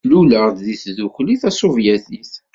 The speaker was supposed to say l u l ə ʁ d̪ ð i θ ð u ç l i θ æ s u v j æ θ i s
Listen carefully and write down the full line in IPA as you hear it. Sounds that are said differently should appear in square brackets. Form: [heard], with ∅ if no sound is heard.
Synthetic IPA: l u l ə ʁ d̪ ð i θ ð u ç l i θ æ s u v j æ θ i [θ]